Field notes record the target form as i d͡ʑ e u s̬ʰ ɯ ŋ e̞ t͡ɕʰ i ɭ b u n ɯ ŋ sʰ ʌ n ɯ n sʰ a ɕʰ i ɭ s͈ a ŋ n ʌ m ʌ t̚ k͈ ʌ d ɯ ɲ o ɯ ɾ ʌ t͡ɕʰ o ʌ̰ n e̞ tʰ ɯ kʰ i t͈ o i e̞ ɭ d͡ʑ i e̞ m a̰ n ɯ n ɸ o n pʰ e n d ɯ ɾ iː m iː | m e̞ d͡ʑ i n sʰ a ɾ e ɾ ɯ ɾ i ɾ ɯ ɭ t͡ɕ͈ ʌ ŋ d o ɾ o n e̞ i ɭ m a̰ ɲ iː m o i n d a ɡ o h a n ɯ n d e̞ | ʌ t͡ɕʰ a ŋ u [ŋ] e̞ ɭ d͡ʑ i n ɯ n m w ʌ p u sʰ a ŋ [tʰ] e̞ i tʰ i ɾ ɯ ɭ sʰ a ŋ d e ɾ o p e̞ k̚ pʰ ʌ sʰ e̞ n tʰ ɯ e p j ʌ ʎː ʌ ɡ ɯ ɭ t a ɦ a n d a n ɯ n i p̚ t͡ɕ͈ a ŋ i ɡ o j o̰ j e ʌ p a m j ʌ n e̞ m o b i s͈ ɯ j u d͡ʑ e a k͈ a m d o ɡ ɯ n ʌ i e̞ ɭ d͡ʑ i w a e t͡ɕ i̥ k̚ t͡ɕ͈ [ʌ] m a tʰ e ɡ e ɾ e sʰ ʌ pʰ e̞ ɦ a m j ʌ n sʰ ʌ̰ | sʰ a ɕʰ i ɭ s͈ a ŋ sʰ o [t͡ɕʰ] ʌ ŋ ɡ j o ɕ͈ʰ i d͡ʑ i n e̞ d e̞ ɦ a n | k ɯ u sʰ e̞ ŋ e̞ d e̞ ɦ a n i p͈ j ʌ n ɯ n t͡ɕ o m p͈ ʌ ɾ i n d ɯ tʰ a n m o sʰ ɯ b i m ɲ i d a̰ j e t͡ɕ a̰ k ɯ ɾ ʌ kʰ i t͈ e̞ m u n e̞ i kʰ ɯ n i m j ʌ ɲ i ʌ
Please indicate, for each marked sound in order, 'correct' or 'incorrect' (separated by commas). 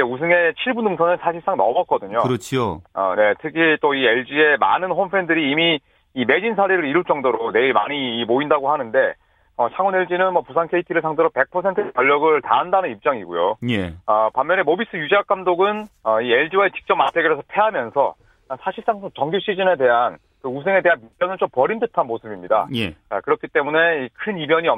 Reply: incorrect, incorrect, correct, incorrect